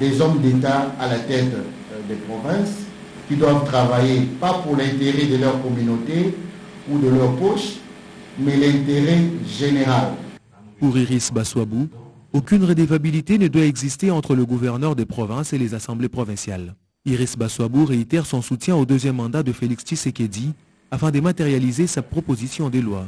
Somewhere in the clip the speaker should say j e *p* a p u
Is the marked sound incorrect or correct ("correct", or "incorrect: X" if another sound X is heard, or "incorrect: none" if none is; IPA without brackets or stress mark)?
correct